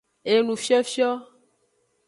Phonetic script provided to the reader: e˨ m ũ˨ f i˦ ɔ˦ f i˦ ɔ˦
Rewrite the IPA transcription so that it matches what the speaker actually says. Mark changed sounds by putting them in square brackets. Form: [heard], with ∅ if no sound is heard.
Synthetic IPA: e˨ [n] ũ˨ f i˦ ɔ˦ f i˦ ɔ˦